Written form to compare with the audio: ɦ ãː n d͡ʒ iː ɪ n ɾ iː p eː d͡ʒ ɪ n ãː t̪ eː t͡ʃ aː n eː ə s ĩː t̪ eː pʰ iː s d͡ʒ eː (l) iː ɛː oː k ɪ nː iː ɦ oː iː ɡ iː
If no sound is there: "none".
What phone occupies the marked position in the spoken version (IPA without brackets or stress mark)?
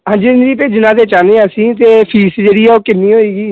ɽ